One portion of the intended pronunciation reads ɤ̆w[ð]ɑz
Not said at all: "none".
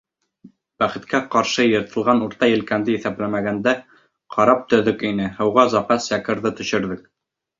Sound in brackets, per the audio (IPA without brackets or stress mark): ʁ